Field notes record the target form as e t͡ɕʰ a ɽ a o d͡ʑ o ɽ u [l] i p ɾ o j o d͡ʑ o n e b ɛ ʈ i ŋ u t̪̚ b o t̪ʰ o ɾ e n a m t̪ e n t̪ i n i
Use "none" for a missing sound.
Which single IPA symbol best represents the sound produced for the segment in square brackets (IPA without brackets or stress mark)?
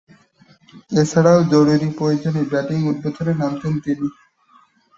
ɾ